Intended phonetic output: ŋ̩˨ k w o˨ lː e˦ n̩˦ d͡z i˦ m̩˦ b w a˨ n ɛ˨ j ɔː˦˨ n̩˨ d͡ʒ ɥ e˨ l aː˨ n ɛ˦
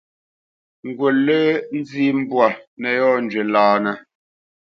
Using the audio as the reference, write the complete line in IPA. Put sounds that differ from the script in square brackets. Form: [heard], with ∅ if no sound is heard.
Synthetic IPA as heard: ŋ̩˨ [ɡ] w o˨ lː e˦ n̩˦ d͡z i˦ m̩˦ b w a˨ n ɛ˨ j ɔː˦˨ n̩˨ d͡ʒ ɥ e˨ l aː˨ n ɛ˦